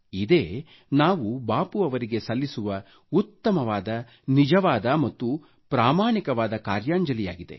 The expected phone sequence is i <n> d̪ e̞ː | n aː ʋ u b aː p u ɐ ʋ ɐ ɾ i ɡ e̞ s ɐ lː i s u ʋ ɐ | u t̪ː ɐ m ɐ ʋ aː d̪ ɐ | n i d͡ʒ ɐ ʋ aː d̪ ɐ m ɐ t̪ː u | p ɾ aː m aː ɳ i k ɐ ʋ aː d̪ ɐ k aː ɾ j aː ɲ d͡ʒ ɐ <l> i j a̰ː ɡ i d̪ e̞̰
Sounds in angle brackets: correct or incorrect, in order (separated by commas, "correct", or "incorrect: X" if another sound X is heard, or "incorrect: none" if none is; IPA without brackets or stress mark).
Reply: incorrect: none, correct